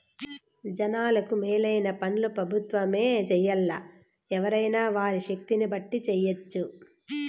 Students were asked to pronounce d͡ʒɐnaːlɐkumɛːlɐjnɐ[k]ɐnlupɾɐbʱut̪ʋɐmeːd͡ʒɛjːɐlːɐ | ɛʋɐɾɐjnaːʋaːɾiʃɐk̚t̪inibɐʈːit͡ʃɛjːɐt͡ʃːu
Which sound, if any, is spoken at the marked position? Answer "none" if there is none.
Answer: p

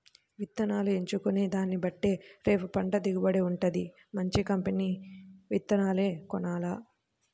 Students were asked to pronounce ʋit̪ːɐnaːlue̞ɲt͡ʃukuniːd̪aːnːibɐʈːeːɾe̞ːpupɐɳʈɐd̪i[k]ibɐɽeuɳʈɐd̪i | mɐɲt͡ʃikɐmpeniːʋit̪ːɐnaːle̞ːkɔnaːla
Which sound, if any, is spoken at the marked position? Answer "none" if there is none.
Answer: ɡ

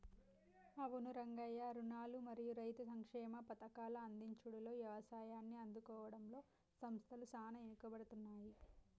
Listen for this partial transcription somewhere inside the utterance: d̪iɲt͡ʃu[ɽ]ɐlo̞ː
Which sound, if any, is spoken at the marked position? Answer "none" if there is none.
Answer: ɽ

